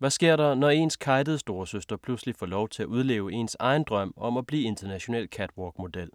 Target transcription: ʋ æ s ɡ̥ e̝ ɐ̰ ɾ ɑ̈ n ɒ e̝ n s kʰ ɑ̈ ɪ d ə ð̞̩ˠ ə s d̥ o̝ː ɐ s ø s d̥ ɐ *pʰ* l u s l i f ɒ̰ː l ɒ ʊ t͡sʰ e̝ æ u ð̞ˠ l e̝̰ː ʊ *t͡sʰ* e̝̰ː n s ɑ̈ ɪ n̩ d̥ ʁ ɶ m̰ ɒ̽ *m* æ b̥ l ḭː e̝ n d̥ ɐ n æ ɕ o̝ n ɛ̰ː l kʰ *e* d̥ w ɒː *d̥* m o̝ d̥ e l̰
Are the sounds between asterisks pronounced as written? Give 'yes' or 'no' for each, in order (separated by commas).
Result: yes, no, yes, no, no